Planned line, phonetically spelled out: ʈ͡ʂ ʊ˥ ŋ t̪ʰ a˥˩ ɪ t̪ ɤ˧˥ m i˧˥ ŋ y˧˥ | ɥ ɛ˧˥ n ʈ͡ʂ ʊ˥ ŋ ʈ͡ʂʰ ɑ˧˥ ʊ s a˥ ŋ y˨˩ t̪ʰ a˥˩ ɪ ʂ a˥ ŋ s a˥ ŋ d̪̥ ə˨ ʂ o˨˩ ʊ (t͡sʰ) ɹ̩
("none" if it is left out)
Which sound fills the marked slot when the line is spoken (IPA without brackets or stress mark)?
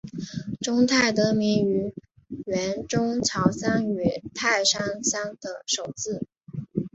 t͡s